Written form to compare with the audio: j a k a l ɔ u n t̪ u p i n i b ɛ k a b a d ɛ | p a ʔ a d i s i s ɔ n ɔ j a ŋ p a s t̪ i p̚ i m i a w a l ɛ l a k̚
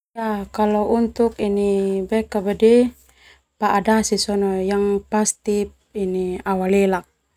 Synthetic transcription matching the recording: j a k a l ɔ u n t̪ u k i n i b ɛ k a b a d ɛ | p a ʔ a d a s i s ɔ n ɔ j a ŋ p a s t̪ i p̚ i n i a w a l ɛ l a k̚